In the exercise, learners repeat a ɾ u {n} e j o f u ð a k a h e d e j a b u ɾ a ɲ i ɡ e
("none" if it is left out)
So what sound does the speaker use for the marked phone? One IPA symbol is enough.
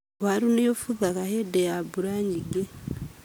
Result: n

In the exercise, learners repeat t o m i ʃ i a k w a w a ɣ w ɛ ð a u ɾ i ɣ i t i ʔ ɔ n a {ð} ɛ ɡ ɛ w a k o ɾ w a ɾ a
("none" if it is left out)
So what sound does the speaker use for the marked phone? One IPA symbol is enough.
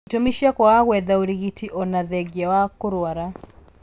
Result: ð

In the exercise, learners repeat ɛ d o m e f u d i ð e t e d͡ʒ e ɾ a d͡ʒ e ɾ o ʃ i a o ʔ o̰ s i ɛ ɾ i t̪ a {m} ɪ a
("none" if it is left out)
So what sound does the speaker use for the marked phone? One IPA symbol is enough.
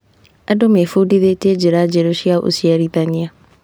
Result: ɲ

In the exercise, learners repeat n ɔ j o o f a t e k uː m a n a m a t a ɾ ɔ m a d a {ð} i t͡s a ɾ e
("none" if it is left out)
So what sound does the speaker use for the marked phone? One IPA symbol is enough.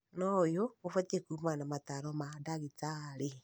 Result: ɣ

